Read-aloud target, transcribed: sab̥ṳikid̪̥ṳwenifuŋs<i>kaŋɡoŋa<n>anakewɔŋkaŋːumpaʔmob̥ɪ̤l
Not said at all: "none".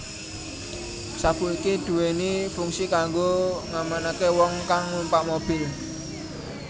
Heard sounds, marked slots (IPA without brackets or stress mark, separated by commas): i, m